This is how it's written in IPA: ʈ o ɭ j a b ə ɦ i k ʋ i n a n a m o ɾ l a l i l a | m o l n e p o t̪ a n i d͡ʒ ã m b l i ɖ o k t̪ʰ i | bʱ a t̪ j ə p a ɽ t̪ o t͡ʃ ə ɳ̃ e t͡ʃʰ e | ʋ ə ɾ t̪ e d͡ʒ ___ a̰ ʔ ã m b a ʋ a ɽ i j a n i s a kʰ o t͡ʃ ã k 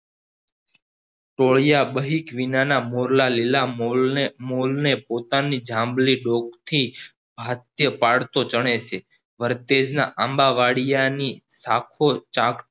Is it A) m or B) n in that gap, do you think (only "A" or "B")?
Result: B